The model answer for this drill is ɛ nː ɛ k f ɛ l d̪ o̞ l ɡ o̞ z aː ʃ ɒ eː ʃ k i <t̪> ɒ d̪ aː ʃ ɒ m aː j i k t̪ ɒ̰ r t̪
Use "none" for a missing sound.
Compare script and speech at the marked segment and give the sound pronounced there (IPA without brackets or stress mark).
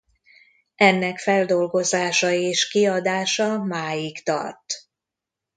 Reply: none